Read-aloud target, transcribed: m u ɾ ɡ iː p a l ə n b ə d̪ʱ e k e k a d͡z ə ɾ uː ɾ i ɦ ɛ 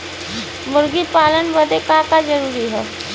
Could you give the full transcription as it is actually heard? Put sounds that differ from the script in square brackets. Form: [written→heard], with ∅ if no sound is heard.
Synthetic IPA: m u ɾ ɡ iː p a l ə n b ə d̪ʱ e k [e→a] k a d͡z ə ɾ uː ɾ i ɦ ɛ